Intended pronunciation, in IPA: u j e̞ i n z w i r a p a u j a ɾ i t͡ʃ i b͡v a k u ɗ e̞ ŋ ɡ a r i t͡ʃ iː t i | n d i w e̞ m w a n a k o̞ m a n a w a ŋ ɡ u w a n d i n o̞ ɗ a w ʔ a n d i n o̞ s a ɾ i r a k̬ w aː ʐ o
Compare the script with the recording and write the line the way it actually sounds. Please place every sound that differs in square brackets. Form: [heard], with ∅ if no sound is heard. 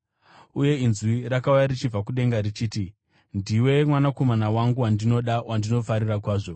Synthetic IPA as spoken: u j e̞ i n z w i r a [k] a u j a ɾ i t͡ʃ i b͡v a k u ɗ e̞ ŋ ɡ a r i t͡ʃ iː t i | n d i w e̞ m w a n a k o̞ m a n a w a ŋ ɡ u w a n d i n o̞ ɗ a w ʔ a n d i n o̞ [f] a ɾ i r a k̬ w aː ʐ o